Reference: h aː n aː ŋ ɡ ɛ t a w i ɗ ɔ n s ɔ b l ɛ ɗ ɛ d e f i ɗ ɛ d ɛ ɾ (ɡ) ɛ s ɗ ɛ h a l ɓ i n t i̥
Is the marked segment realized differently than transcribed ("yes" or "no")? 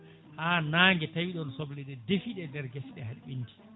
no